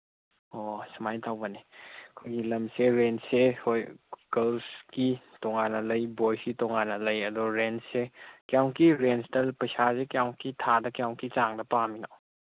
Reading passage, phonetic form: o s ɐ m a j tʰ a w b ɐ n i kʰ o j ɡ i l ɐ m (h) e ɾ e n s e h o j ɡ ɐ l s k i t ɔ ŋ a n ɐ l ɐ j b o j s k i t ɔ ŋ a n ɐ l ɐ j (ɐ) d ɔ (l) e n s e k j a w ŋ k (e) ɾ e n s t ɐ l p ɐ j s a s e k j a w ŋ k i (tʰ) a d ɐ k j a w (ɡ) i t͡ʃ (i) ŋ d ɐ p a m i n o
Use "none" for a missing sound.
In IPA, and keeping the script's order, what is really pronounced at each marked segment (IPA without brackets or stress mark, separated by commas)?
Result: s, ɐ, ɾ, i, tʰ, k, a